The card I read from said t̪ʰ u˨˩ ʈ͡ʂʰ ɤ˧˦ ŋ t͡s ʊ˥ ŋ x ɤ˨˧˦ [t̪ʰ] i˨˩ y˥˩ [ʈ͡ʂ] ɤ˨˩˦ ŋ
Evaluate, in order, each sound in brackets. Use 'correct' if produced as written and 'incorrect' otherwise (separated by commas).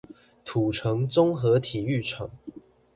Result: correct, incorrect